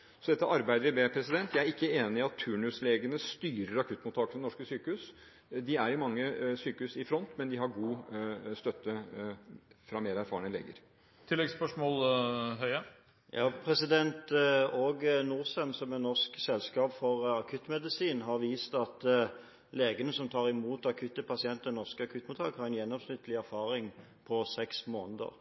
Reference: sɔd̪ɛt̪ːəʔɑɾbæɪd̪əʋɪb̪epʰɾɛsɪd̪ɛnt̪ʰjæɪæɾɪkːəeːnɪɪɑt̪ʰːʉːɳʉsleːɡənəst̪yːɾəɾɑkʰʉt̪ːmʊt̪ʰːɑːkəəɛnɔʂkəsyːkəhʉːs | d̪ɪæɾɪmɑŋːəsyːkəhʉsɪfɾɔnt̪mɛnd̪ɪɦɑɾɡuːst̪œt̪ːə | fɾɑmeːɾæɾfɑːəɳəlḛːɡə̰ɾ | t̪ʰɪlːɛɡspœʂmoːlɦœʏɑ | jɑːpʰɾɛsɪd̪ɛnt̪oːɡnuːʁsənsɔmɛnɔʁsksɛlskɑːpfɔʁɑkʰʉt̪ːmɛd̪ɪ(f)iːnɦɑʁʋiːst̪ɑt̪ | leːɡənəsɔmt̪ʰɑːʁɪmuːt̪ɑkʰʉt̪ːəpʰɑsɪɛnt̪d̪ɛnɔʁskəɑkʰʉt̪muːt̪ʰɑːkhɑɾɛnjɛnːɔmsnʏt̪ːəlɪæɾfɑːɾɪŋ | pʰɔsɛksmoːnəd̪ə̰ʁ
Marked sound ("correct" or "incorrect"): incorrect